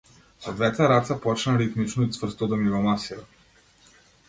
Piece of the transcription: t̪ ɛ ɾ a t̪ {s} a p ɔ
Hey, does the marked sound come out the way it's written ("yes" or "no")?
yes